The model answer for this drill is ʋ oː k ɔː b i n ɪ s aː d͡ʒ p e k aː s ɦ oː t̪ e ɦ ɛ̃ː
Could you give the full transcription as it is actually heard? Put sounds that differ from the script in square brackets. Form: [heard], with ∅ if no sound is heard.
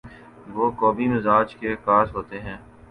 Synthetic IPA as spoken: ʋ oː k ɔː b i [m] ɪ [z] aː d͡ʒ [k] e k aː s ɦ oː t̪ e ɦ ɛ̃ː